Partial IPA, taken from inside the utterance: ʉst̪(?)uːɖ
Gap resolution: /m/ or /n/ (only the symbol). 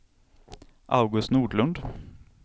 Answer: n